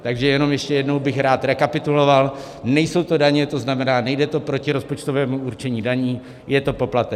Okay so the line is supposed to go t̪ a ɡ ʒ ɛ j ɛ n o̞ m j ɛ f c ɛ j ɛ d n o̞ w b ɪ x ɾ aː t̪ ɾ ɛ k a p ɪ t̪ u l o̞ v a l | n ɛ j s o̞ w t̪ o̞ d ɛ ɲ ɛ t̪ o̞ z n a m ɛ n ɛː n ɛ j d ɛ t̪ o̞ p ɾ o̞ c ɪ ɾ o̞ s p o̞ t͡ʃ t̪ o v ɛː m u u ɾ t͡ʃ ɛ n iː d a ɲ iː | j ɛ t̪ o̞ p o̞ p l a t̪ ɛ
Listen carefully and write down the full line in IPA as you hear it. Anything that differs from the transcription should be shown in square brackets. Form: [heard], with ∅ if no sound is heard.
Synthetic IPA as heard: t̪ a ɡ ʒ ɛ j ɛ n o̞ m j ɛ [ʃ] c ɛ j ɛ d n o̞ w b ɪ x ɾ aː t̪ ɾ ɛ k a p ɪ t̪ u l o̞ v a l | n ɛ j s o̞ w t̪ o̞ d [a] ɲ ɛ t̪ o̞ z n a m ɛ n [aː] n ɛ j d ɛ t̪ o̞ p ɾ o̞ c ɪ ɾ o̞ s p o̞ t͡ʃ t̪ o v ɛː m u u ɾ t͡ʃ ɛ [ɲ] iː d a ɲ iː | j ɛ t̪ o̞ p o̞ p l a t̪ ɛ